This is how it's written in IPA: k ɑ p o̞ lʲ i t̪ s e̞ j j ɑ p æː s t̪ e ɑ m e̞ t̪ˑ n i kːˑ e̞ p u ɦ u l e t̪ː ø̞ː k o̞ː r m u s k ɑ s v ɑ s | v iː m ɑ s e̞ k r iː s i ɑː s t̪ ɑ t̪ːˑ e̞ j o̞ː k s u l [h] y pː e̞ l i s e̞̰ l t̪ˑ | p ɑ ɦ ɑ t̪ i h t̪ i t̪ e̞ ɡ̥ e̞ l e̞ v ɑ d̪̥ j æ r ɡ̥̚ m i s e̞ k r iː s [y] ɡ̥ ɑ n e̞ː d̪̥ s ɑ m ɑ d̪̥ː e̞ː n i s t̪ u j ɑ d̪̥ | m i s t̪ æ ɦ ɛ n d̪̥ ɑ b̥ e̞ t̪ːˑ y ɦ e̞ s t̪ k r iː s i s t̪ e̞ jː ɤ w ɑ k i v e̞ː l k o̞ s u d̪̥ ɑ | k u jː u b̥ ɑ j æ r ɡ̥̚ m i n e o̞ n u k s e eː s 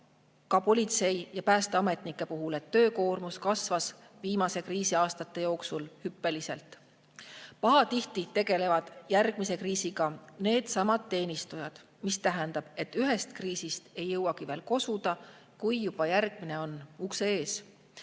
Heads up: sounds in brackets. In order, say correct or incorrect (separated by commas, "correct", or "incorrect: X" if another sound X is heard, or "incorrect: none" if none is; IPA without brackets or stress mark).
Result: correct, incorrect: i